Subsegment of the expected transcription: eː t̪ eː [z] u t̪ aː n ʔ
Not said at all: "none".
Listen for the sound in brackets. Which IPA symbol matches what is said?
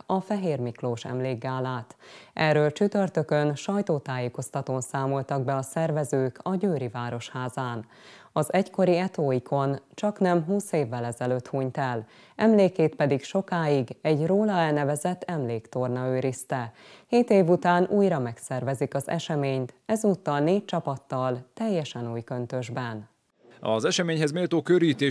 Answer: v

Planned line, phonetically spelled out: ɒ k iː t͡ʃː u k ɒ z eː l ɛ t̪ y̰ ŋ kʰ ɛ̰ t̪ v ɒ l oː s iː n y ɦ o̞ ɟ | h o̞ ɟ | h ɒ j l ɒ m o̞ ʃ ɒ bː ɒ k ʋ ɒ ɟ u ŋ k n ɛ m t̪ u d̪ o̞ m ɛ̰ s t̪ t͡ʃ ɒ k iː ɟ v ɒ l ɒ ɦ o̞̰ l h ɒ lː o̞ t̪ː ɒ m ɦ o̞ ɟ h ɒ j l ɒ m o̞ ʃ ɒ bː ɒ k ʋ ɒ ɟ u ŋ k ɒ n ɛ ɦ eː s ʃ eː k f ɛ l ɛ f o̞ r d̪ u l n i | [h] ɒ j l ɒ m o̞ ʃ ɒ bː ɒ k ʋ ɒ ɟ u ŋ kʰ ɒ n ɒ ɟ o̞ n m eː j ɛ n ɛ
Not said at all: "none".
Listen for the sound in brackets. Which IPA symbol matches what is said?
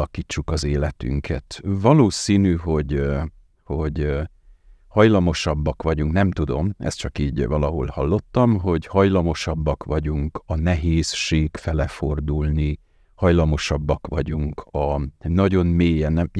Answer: h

